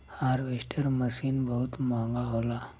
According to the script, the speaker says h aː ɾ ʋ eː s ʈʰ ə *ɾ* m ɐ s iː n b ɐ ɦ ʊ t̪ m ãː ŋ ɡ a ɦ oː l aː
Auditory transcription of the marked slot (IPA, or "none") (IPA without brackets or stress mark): ɾ